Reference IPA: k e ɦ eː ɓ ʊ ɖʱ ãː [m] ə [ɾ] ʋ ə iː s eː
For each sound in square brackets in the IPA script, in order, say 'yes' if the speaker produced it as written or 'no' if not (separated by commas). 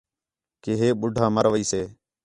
yes, yes